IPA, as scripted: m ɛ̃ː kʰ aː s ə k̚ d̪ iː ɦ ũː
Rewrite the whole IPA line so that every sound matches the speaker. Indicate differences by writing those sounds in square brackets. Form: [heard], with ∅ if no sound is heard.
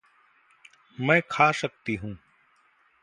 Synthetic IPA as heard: m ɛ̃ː kʰ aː s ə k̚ [t̪] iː ɦ ũː

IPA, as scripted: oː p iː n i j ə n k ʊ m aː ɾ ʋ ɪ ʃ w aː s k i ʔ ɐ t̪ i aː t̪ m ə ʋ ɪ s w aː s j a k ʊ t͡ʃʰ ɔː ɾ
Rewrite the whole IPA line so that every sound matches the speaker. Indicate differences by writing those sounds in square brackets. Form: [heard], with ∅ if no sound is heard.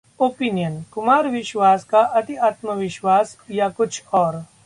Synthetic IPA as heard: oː p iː n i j ə n k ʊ m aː ɾ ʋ ɪ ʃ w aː s k [a] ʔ ɐ t̪ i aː t̪ m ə ʋ ɪ [ʃ] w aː s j a k ʊ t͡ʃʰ ɔː ɾ

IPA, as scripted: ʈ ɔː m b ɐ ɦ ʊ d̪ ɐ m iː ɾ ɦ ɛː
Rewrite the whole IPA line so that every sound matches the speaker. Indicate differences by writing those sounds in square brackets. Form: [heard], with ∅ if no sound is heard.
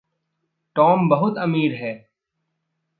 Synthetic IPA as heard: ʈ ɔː m b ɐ ɦ ʊ [t̪] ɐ m iː ɾ ɦ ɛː

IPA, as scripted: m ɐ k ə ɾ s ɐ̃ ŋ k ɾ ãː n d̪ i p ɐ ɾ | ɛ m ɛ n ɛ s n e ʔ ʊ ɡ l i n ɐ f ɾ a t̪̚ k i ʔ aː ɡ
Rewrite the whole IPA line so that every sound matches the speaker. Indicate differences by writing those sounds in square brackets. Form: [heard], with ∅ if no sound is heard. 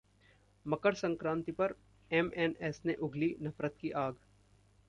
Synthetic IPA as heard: m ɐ k ə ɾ s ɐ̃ ŋ k ɾ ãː n [t̪] i p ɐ ɾ | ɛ m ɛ n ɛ s n e ʔ ʊ ɡ l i n ɐ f ɾ [ə] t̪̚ k i ʔ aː ɡ

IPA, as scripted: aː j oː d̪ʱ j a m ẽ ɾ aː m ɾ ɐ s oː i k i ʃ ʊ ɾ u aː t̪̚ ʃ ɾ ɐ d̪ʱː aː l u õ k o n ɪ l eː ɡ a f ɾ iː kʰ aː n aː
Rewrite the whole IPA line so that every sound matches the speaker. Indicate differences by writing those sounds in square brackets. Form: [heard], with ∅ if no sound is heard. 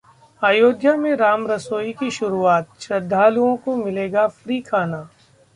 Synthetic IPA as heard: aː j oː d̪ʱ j a m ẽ ɾ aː m ɾ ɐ s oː i k i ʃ ʊ ɾ u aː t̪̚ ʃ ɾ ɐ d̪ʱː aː l u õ k o [m] ɪ l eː ɡ a f ɾ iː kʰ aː n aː

